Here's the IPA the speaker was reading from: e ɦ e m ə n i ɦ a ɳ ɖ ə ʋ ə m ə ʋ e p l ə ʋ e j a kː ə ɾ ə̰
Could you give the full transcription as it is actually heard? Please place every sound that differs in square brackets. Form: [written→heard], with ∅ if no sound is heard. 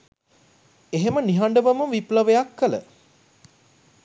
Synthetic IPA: e ɦ e m ə n i ɦ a ɳ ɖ ə ʋ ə m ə ʋ [e→i] p l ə ʋ e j a kː ə [ɾ→l] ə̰